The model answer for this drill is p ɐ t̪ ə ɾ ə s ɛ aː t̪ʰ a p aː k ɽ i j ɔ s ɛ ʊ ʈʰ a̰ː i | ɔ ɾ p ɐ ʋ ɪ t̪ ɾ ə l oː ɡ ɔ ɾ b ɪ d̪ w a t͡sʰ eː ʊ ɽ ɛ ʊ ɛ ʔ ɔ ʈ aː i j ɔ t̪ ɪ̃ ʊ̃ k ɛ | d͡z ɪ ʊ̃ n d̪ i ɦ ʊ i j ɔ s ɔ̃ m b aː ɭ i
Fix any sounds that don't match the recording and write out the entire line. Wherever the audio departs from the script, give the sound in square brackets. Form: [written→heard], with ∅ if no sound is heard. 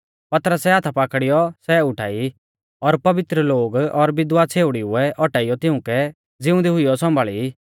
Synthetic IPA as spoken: p ɐ t̪ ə ɾ ə s ɛ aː t̪ʰ a p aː k ɽ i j ɔ s ɛ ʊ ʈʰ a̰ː i | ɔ ɾ p ɐ ʋ ɪ t̪ ɾ ə l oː ɡ ɔ ɾ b ɪ d̪ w a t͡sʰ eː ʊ ɽ [ɛ→i] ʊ ɛ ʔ ɔ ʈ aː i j ɔ t̪ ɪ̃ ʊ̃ k ɛ | d͡z ɪ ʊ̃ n d̪ i ɦ ʊ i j ɔ s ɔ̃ m b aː ɭ i